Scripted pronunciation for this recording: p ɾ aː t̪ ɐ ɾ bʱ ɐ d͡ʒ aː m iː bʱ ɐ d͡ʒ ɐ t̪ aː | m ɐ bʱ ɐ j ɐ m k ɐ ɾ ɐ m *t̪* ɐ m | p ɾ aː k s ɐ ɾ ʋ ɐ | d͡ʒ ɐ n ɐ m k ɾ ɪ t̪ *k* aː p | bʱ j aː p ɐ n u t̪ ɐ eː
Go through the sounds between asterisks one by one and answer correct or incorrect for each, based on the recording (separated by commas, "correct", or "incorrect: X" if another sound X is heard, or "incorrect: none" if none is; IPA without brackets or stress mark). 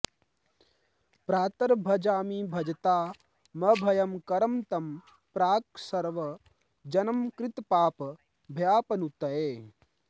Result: correct, incorrect: p